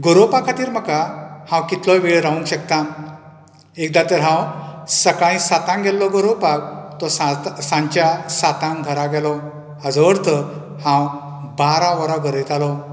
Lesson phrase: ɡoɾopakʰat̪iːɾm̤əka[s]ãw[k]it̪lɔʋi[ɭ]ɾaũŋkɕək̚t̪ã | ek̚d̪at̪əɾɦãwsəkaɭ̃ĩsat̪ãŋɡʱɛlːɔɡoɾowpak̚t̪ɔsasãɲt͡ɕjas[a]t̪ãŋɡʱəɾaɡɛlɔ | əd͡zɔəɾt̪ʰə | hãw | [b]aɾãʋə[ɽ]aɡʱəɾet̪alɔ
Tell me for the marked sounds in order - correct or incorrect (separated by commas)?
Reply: incorrect, correct, correct, correct, correct, incorrect